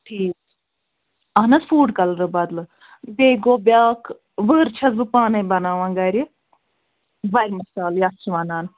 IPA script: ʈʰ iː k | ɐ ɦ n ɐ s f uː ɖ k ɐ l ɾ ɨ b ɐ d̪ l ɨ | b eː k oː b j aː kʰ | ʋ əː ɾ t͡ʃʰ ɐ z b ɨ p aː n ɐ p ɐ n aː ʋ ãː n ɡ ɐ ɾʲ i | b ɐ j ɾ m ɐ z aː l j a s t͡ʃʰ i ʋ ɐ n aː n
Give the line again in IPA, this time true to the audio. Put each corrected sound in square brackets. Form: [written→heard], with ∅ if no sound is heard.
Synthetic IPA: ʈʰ iː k | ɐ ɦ n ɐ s f uː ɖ k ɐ l ɾ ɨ b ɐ d̪ l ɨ | b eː [k→ɡ] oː b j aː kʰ | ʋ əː ɾ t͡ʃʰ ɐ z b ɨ p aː n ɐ [p→b] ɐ n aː ʋ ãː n ɡ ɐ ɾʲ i | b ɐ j ɾ m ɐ [z→s] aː l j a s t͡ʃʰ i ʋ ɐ n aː n